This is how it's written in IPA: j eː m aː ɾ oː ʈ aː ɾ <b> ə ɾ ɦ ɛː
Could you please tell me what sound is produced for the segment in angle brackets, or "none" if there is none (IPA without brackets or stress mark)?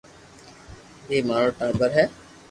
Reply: b